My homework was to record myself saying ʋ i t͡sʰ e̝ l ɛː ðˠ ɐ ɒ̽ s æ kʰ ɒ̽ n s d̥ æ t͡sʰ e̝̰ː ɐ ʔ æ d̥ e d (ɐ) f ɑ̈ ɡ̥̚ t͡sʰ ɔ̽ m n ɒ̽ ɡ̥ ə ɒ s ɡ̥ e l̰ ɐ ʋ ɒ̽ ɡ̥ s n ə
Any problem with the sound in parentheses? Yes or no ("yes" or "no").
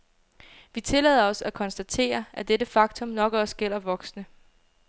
yes